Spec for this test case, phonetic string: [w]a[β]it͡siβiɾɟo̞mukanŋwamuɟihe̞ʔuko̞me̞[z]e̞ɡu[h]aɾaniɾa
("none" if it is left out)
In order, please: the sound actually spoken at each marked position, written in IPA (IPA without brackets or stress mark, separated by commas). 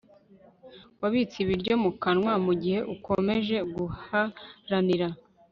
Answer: w, β, ʒ, h